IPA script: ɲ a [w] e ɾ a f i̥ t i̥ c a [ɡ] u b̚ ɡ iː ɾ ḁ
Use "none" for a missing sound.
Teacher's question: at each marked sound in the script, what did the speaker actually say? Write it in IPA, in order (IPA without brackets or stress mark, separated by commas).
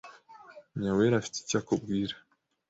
w, k